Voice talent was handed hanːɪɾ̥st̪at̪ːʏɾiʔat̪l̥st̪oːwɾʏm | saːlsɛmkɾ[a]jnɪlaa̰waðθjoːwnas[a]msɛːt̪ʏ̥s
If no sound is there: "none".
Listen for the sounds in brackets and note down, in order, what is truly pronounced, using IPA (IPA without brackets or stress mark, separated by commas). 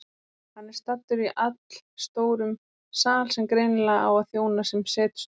e, ɛ